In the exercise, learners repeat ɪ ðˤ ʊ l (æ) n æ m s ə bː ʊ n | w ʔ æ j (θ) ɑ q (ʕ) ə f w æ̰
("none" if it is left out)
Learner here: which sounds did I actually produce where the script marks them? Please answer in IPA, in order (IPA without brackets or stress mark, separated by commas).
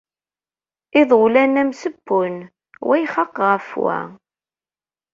æ, χ, ʁ